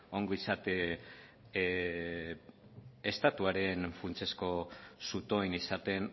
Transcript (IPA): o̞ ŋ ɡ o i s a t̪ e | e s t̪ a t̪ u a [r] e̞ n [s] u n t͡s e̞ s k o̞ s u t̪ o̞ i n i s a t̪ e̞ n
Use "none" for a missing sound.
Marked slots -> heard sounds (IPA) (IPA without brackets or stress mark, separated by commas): ɾ, f